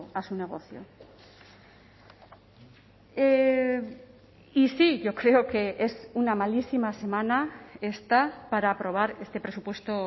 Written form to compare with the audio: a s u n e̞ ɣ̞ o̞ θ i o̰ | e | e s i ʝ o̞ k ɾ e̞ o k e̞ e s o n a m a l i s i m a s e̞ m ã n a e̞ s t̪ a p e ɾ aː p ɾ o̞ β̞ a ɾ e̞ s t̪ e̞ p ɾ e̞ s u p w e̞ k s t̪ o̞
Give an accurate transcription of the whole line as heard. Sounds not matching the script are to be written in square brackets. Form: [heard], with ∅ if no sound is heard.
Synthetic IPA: a s u n e̞ ɣ̞ o̞ θ [j] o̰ | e | [i] s i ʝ o̞ k ɾ e̞ o k e̞ e s [u] n a m a l i s i m a s e̞ m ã n a e̞ s t̪ a p [a] ɾ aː p ɾ o̞ β̞ a ɾ e̞ s t̪ e̞ p ɾ e̞ s u p w e̞ [∅] s t̪ o̞